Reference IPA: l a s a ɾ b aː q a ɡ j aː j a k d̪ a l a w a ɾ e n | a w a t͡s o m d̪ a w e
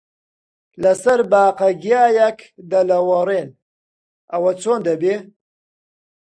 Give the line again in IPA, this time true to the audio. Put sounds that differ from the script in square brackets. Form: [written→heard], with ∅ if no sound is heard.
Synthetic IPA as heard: l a s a ɾ b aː q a ɡ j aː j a k d̪ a l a w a ɾ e n | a w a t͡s o [m→n] d̪ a [w→b] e